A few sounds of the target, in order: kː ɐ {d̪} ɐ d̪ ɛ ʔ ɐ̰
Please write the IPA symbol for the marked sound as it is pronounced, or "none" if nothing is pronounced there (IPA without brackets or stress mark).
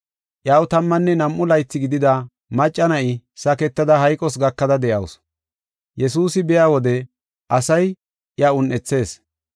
d̪